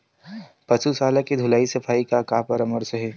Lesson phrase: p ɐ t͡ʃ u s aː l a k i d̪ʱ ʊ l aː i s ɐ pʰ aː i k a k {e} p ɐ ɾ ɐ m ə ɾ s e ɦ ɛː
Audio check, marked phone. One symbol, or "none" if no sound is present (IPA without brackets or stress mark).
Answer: a